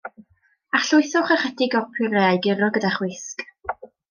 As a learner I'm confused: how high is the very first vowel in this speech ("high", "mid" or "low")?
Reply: low